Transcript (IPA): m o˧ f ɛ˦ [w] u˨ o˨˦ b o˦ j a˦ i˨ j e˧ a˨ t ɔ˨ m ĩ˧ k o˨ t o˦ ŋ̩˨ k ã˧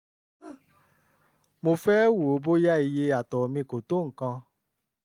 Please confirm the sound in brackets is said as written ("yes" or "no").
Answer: yes